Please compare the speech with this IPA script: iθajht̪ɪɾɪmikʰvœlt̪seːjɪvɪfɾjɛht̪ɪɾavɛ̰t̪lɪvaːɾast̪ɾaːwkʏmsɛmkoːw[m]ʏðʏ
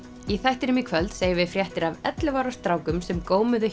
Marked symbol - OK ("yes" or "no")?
yes